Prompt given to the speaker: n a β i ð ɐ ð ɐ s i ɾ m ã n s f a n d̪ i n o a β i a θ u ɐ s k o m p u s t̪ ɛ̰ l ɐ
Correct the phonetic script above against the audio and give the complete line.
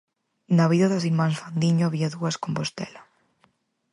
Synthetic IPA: n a β i ð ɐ ð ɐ s i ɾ m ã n s f a n d̪ i ɲ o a β i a ð u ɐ s k o m p o s t̪ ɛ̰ l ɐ